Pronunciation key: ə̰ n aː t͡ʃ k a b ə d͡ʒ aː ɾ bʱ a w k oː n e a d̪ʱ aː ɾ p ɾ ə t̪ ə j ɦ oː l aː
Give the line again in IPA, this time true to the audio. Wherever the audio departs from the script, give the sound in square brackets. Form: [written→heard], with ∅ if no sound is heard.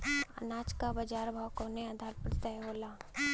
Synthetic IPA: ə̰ n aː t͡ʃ k a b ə d͡ʒ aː ɾ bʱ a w k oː n e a d̪ʱ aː ɾ p ɾ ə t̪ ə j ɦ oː l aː